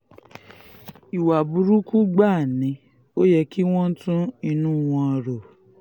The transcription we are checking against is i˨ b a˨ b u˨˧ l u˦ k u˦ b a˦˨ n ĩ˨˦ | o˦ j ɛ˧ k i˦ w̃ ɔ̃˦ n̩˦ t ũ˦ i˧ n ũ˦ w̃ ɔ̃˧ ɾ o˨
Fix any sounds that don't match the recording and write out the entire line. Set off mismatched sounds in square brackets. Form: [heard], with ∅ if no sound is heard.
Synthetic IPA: i˨ [w] a˨ b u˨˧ [ɾ] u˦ k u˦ [ɡ͡b] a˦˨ n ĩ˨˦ | o˦ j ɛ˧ k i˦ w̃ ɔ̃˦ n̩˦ t ũ˦ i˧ n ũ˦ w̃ ɔ̃˧ ɾ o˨